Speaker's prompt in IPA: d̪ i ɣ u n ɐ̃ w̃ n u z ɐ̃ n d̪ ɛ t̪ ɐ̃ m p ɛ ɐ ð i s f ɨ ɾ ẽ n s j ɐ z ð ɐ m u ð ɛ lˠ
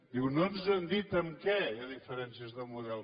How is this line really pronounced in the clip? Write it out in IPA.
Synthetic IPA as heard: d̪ i ɣ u n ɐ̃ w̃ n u z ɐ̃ n d̪ i t̪ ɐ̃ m k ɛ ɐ ð i f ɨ ɾ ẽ n s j ɐ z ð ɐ m u ð ɛ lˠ